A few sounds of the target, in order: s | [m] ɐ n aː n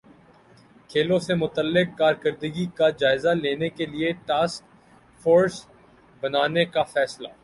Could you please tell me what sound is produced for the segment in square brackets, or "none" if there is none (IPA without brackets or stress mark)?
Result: b